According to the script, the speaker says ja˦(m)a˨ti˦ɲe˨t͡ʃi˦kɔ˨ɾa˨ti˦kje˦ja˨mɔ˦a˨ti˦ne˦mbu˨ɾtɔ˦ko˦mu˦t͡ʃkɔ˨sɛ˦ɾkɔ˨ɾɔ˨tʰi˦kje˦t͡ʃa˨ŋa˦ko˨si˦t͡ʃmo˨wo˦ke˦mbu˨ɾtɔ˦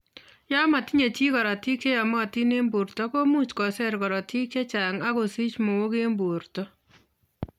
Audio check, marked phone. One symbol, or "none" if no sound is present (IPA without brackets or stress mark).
m